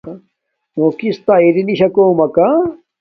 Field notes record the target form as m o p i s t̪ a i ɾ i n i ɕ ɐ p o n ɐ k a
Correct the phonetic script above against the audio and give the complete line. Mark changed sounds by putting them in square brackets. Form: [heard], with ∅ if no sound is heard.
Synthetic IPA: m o [k] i s t̪ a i ɾ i n i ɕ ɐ [k] o [m] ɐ k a